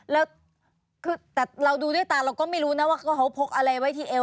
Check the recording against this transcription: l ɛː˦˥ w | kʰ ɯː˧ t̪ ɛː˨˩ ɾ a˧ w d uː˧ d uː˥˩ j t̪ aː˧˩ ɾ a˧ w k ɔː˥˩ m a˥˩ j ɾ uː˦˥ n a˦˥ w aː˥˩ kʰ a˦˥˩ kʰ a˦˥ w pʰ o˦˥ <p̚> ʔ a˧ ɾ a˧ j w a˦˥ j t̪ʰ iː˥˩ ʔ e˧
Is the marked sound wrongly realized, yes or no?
yes